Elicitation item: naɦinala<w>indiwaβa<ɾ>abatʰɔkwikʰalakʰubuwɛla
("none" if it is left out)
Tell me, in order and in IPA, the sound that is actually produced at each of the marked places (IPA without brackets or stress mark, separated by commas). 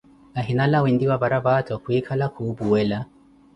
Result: w, ɾ